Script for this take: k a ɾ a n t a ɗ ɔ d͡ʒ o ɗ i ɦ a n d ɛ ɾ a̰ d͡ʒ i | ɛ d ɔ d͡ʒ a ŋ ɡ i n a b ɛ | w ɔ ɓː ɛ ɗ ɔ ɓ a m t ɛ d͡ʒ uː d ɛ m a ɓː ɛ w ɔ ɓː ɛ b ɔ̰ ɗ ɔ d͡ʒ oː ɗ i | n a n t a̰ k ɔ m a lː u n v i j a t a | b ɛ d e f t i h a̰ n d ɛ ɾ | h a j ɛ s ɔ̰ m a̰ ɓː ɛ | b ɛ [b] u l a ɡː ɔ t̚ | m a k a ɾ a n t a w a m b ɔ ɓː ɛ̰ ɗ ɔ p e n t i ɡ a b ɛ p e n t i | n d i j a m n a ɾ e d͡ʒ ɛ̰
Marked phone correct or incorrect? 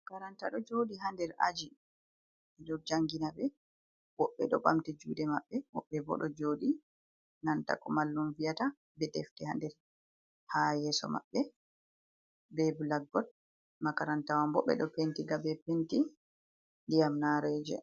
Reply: correct